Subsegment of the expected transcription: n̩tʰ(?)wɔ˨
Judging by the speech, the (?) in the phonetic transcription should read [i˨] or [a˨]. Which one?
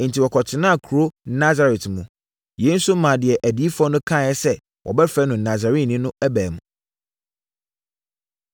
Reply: i˨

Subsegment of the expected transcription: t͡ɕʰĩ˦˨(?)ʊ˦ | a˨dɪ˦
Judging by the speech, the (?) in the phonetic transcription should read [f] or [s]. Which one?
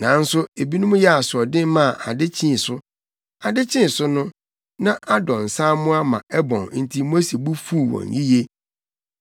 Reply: s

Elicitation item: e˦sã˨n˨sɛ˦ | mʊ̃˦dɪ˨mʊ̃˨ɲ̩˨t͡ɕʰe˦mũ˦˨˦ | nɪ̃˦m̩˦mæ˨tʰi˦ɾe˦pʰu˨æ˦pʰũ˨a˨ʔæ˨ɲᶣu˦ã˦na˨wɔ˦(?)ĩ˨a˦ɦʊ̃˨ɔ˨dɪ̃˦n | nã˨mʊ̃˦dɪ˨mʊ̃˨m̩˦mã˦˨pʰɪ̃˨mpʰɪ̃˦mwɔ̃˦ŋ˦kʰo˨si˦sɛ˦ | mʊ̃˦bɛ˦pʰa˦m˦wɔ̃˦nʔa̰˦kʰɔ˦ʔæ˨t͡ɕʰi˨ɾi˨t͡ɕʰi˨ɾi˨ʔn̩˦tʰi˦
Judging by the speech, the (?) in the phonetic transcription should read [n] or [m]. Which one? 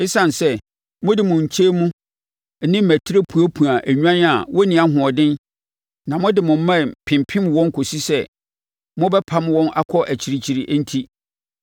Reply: n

